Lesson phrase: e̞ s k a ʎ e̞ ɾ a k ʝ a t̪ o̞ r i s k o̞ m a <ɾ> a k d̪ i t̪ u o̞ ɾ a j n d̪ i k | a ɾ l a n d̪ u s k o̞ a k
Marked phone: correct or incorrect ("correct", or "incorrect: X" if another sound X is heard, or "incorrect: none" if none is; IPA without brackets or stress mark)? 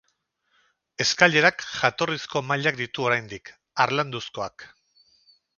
incorrect: ʎ